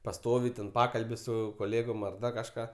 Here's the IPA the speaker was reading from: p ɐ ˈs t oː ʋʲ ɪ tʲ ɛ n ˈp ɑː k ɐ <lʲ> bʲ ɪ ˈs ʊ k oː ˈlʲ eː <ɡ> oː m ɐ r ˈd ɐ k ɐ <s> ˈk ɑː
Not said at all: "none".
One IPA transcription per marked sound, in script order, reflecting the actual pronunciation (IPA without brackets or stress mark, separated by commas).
lʲ, ɡ, ʃ